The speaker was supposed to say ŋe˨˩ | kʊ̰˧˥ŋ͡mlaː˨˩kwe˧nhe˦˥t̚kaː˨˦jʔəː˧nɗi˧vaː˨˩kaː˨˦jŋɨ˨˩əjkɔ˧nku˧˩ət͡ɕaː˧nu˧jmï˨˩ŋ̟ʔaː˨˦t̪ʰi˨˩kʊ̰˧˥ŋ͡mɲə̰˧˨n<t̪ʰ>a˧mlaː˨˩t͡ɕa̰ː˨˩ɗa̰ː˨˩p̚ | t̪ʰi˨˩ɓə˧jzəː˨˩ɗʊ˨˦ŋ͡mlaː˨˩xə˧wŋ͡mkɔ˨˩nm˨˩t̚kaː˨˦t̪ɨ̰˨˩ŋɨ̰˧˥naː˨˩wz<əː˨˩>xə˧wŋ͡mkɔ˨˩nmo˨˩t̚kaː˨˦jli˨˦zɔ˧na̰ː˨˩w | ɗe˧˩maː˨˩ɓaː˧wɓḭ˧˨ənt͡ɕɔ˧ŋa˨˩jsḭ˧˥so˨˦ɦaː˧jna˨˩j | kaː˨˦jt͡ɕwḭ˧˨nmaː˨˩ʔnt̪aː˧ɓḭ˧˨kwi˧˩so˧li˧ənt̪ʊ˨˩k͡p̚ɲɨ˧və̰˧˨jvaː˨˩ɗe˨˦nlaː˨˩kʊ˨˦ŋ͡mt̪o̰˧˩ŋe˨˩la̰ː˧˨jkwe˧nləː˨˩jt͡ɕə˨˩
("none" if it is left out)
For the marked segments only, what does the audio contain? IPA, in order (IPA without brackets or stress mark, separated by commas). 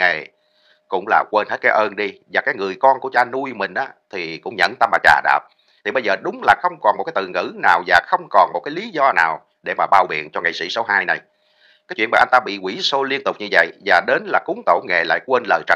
t̪, aː˨˩